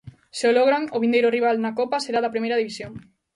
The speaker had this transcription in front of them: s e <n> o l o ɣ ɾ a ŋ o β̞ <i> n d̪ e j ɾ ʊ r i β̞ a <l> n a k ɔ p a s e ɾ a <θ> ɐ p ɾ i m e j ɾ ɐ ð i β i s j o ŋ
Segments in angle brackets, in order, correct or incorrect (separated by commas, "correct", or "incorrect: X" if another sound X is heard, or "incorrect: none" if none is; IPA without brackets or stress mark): incorrect: none, correct, correct, incorrect: ð